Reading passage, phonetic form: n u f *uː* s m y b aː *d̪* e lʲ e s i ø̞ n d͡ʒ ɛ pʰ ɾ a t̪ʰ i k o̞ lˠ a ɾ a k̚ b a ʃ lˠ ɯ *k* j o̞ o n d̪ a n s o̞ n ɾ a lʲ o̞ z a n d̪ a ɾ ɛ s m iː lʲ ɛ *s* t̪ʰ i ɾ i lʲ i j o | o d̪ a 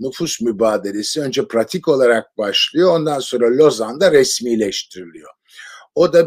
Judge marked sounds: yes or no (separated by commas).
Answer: no, yes, no, no